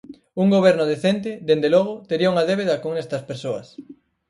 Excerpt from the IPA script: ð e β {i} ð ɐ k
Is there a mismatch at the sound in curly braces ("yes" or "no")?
yes